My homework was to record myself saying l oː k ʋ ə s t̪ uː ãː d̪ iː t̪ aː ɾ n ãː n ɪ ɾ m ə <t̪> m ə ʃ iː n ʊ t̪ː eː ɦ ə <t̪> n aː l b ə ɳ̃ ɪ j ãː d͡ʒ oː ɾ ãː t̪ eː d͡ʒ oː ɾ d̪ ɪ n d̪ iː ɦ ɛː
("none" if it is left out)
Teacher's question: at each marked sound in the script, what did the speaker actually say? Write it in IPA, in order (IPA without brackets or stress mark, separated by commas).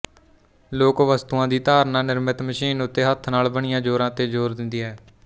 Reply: t̪, t̪ʰ